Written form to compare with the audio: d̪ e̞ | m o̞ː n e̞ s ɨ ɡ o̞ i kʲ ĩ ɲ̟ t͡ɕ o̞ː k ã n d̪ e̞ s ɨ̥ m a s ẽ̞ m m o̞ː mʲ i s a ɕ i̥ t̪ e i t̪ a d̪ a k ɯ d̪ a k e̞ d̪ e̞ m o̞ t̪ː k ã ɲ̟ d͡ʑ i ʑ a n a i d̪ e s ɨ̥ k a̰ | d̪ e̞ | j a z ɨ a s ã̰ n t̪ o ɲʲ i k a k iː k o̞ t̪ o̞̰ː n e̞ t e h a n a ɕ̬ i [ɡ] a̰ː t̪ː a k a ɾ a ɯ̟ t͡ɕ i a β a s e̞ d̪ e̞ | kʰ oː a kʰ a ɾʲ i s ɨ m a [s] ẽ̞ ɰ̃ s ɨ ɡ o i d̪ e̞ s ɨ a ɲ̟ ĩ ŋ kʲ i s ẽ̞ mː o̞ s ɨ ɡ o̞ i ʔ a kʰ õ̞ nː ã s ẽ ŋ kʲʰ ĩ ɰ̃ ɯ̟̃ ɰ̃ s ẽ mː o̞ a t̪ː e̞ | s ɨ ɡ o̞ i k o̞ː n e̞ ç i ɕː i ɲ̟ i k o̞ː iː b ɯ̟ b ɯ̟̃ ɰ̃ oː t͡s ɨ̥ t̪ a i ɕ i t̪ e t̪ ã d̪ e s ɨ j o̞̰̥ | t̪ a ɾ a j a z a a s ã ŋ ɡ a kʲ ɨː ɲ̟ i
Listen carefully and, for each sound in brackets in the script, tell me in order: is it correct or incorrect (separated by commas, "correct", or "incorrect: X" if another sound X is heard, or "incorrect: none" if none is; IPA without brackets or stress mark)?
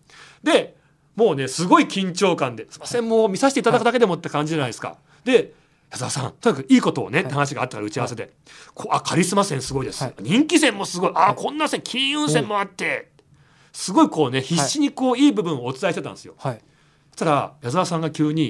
correct, correct